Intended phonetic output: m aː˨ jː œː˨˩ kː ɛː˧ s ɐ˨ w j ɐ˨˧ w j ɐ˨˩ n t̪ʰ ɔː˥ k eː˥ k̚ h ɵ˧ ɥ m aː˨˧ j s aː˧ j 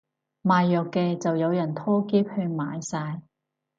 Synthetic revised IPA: m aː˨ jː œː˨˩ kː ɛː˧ t͡s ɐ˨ w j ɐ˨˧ w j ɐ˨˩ n t̪ʰ ɔː˥ k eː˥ p̚ h ɵ˧ ɥ m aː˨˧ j s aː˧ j